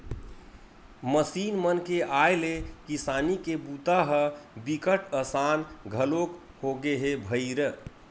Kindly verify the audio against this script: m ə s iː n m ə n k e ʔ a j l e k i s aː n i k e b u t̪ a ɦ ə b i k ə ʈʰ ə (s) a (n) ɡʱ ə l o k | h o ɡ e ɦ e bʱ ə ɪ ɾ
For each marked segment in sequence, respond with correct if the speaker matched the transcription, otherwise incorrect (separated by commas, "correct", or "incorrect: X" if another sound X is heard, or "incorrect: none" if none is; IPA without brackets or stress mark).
correct, correct